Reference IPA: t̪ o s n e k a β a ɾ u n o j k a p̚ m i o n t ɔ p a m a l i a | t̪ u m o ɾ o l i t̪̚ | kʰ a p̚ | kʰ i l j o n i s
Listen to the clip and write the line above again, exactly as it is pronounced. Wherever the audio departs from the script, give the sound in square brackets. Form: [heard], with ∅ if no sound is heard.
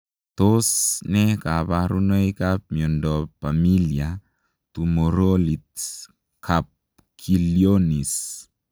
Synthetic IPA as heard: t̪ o s n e k a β a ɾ u n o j k a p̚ m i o n [d] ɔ p a m [i] l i a | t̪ u m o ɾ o l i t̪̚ | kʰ a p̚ | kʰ i l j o n i s